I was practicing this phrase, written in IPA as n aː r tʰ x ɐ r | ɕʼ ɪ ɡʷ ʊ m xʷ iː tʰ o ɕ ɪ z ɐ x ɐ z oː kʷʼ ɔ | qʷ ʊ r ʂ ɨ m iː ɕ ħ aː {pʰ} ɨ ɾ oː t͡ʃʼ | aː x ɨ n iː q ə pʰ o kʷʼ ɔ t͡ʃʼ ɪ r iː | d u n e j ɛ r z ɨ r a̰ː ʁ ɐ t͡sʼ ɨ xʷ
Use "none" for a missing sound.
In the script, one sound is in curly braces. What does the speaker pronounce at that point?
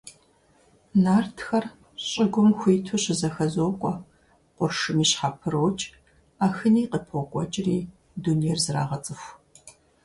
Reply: pʰ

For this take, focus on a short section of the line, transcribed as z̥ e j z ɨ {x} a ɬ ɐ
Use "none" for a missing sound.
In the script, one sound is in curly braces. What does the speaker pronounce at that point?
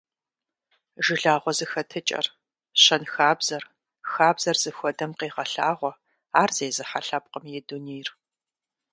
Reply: ħ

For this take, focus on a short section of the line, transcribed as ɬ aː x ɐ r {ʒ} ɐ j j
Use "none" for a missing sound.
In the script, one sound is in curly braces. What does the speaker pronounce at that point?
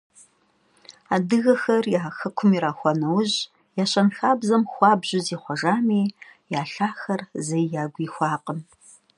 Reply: z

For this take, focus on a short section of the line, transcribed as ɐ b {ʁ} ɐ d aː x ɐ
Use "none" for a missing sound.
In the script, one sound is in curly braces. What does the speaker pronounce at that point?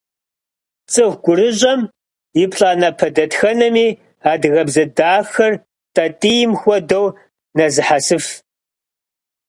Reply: z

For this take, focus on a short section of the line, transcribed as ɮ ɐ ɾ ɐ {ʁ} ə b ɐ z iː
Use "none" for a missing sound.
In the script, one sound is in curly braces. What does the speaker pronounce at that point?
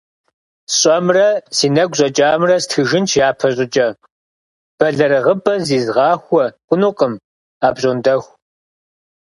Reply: ʁ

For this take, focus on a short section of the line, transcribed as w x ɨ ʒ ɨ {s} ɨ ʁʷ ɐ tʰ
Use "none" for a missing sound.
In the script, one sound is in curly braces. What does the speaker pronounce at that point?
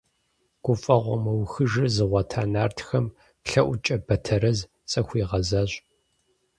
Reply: z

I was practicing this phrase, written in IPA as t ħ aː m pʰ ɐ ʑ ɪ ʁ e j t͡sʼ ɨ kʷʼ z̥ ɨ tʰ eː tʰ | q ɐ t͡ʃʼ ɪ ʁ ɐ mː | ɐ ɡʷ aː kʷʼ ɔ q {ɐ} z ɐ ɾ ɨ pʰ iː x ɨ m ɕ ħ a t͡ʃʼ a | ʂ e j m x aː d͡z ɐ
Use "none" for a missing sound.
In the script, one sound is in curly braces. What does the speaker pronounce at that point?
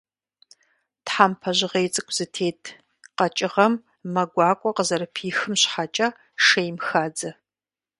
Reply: ə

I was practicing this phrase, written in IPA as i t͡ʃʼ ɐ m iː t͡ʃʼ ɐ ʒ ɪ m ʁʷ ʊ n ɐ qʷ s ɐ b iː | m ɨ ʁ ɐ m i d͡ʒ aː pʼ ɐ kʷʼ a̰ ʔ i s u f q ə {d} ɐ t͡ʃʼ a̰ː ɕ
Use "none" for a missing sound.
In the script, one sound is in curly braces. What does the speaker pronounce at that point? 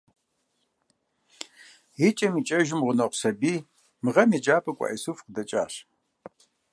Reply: d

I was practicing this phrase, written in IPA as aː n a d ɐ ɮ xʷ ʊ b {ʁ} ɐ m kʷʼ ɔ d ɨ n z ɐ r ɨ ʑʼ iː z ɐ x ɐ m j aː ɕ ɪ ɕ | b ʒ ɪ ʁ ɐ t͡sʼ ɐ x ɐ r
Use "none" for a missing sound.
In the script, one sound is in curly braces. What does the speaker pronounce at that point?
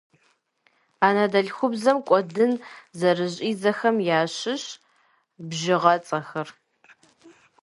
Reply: z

